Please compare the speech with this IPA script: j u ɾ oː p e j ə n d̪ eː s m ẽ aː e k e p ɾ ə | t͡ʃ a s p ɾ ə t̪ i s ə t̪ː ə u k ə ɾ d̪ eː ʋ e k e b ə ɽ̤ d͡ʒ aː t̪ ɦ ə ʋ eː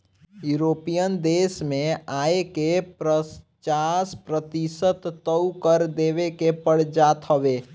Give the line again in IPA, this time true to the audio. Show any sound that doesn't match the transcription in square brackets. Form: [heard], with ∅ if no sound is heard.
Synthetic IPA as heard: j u ɾ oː p [i] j ə n d̪ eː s m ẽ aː e k e p ɾ ə | t͡ʃ a s p ɾ ə t̪ i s ə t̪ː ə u k ə ɾ d̪ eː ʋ e k e [p] ə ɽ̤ d͡ʒ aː t̪ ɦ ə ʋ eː